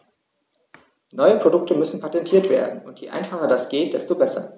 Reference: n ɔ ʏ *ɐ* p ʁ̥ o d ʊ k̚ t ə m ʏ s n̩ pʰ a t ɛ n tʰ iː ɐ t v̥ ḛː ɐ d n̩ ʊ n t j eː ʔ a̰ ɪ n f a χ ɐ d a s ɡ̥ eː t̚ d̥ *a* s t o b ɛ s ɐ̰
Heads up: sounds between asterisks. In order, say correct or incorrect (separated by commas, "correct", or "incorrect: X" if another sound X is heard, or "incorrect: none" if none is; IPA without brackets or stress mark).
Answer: incorrect: ə, incorrect: ɛ